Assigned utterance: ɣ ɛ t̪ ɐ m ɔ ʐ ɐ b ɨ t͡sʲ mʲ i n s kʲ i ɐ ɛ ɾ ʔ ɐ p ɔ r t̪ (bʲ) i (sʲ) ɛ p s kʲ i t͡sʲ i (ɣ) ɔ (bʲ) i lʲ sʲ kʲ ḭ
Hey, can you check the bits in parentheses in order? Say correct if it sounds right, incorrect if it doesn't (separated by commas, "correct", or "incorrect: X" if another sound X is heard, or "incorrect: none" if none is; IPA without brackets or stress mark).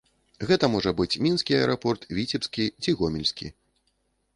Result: incorrect: vʲ, incorrect: t͡sʲ, correct, incorrect: mʲ